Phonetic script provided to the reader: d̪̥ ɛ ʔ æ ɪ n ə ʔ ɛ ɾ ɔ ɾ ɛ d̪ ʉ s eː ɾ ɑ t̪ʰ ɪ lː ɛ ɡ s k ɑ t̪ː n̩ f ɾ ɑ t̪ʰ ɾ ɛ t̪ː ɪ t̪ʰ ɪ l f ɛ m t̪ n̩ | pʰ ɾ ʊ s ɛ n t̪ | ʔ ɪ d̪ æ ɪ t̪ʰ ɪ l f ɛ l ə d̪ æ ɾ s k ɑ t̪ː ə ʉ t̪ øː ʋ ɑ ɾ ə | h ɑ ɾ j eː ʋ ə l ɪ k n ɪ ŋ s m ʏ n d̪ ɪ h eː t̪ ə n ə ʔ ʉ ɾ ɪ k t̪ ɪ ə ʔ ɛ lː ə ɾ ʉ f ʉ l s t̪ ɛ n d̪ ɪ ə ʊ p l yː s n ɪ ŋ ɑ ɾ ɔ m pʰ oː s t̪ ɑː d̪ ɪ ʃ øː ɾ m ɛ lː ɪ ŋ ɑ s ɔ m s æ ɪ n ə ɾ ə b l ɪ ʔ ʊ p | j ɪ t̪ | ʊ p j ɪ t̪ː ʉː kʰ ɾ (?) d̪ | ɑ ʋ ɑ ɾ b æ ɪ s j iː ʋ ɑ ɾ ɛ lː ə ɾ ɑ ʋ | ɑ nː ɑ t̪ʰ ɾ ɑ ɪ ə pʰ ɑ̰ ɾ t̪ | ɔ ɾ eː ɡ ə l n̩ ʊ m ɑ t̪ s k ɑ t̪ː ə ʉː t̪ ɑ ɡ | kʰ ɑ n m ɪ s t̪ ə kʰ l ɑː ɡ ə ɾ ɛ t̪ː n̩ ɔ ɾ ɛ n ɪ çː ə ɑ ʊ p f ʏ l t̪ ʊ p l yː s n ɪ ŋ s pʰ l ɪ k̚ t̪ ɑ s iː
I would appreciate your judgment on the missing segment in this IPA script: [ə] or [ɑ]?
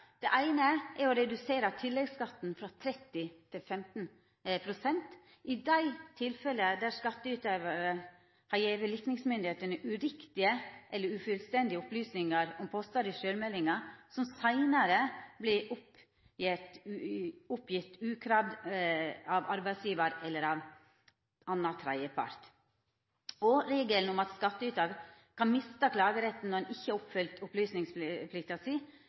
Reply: ɑ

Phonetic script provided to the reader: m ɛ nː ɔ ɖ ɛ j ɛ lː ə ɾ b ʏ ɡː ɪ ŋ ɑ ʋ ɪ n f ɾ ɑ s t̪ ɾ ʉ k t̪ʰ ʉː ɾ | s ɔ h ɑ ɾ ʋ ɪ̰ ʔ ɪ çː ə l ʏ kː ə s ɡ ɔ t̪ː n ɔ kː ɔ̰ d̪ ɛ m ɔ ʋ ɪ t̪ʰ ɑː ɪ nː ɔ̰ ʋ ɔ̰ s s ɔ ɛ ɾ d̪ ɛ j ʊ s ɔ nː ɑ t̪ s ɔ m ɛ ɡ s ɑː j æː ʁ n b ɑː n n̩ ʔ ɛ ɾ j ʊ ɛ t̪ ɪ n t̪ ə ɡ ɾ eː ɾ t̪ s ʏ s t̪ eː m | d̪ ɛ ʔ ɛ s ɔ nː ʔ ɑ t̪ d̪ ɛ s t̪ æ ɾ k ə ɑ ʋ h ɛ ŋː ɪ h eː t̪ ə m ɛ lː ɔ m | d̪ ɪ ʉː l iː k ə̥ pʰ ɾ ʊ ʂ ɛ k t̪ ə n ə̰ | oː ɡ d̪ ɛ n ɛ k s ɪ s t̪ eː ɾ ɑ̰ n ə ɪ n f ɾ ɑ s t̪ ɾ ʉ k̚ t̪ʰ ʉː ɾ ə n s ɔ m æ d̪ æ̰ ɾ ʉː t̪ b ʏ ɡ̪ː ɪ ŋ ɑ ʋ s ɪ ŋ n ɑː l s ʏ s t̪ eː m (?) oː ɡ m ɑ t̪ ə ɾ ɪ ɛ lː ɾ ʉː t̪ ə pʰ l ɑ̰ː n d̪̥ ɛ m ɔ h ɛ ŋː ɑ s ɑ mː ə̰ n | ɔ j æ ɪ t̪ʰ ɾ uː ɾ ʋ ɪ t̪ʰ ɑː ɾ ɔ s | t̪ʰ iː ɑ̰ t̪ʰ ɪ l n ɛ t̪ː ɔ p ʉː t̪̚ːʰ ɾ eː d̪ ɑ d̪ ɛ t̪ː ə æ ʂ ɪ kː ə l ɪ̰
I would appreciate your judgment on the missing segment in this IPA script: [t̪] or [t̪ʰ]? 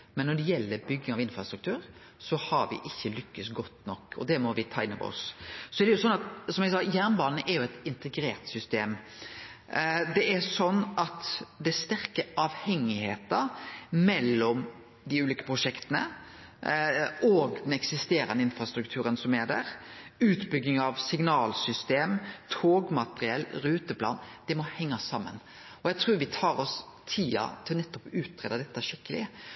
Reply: t̪ʰ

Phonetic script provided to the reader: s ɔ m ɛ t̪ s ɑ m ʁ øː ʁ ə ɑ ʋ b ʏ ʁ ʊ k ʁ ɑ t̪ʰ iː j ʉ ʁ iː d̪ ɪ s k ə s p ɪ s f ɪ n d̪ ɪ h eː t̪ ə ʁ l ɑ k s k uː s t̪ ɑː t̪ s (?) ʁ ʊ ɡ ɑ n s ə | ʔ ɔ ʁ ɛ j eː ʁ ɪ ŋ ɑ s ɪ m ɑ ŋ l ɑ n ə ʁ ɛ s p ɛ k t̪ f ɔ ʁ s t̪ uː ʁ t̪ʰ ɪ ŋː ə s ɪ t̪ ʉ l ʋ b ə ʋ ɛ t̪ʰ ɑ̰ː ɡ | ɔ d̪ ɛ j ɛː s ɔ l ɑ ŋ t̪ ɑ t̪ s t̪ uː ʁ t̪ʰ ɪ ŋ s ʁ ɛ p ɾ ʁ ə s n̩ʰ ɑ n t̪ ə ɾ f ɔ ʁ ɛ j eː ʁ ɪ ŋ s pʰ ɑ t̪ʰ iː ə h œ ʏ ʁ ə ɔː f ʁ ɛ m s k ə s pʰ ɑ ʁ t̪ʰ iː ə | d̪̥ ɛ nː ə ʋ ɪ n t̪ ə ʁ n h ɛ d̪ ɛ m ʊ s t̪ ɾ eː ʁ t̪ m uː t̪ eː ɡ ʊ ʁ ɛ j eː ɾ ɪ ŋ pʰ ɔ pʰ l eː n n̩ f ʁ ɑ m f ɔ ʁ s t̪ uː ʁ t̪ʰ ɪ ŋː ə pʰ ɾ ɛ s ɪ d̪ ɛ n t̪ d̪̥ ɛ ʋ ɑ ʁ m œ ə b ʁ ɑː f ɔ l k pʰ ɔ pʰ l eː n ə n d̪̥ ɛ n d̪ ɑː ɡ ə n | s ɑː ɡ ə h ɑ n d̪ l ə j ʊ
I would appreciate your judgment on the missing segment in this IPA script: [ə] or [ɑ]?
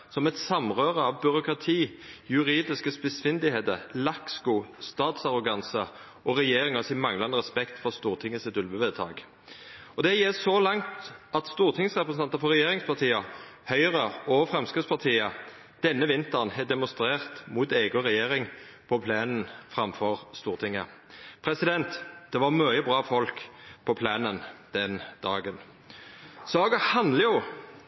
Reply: ɑ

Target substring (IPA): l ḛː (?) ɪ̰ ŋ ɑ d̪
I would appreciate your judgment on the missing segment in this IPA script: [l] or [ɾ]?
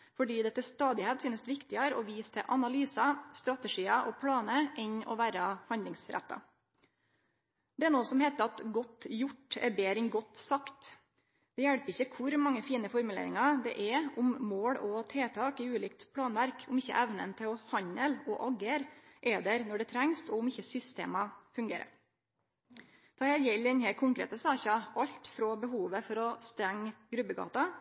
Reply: ɾ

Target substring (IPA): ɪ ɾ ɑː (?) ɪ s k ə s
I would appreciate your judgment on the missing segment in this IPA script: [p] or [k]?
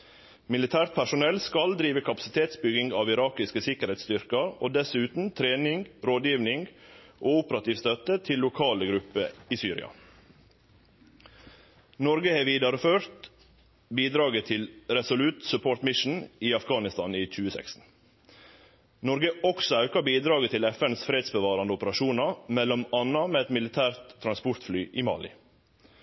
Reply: k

